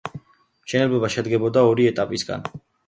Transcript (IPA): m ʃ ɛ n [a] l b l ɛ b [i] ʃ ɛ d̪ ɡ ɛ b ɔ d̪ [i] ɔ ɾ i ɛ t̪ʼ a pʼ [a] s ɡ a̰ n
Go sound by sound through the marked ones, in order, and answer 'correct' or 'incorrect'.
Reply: incorrect, incorrect, incorrect, incorrect

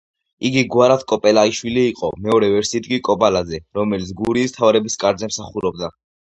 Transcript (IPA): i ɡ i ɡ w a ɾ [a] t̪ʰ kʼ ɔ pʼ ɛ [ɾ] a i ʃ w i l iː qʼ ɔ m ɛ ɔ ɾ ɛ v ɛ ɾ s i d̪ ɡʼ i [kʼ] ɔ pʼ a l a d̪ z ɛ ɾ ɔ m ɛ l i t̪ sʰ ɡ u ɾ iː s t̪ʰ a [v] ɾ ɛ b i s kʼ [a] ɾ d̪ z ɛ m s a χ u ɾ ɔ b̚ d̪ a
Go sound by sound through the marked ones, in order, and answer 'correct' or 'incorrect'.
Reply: correct, incorrect, correct, correct, correct

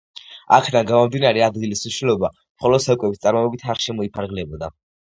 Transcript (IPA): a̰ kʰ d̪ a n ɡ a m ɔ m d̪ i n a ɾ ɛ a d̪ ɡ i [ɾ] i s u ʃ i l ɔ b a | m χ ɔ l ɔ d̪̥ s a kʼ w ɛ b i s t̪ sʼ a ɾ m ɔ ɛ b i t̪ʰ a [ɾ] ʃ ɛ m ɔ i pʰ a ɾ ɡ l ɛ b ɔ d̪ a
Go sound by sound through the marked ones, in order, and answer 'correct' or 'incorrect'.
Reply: incorrect, correct

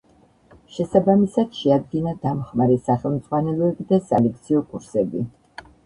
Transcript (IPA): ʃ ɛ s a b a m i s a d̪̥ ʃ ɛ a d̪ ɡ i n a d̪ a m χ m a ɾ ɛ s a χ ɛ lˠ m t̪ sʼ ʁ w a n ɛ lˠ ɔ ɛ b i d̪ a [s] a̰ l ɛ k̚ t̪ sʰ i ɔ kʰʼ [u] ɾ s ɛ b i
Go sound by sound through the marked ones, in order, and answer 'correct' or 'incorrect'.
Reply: correct, correct

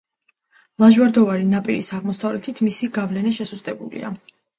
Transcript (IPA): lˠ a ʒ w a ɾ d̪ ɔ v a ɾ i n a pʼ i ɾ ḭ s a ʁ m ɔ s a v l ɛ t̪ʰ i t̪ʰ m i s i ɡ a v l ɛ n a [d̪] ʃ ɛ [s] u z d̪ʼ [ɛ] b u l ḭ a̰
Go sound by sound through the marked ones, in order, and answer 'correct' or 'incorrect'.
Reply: incorrect, correct, correct

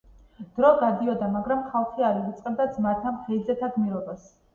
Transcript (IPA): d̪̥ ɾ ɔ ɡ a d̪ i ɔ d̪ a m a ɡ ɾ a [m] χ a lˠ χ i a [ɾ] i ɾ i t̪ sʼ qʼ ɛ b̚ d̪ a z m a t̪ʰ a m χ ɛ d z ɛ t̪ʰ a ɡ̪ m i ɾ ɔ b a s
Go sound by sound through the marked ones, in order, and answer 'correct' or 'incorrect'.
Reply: correct, correct

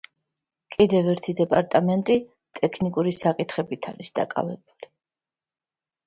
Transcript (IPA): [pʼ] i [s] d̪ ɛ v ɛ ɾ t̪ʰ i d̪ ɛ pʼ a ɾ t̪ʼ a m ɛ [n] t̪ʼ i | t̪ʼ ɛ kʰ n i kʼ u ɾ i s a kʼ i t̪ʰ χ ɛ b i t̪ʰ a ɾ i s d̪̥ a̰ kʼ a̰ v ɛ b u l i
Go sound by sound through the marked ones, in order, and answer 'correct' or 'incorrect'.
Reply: incorrect, incorrect, correct

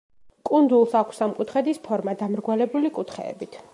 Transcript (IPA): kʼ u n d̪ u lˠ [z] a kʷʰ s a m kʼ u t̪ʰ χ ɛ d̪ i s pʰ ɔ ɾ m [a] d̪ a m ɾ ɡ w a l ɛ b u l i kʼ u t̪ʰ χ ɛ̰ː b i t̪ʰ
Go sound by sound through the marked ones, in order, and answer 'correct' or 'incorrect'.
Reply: incorrect, correct

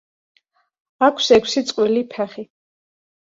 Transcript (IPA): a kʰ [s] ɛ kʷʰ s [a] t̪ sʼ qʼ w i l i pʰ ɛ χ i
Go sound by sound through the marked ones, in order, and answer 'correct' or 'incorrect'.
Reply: correct, incorrect

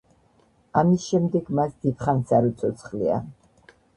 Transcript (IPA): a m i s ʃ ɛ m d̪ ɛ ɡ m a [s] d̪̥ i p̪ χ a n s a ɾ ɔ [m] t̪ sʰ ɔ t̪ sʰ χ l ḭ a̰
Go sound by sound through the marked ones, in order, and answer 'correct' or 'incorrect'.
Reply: correct, incorrect

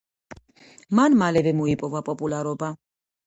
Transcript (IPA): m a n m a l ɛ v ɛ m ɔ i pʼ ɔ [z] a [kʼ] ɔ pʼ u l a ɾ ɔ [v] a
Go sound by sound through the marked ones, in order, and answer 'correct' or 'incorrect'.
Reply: incorrect, incorrect, incorrect

